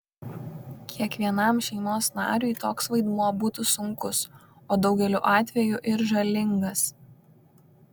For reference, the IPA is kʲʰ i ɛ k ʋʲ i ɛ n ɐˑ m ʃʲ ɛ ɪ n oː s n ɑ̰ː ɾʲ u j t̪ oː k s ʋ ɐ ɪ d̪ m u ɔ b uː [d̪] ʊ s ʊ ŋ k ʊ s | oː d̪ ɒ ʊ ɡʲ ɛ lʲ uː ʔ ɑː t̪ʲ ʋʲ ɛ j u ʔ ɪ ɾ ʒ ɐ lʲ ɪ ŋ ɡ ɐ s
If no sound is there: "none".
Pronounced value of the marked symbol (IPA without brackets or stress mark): t̪